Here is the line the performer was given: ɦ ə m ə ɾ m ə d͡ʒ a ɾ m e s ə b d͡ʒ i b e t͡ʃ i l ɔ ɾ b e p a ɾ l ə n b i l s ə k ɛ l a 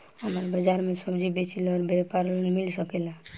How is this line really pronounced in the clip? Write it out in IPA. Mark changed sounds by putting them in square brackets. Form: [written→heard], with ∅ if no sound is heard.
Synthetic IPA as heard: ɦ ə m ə ɾ [m→b] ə d͡ʒ a ɾ m e s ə b d͡ʒ i b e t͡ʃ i l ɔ ɾ b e p a ɾ l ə n [b→m] i l s ə k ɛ l a